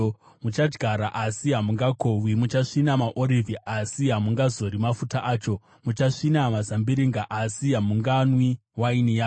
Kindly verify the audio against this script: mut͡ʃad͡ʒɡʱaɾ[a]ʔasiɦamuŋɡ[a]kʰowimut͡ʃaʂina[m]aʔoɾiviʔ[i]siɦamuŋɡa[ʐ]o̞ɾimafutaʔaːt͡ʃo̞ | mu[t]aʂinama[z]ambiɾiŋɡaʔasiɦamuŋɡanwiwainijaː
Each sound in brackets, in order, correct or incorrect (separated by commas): correct, correct, correct, incorrect, incorrect, incorrect, correct